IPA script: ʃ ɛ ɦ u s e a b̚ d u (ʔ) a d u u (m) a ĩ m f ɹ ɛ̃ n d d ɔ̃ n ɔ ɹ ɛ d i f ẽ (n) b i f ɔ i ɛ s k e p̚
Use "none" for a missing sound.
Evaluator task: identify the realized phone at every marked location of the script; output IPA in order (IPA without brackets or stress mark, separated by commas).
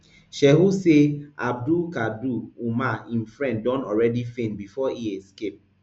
k, m, n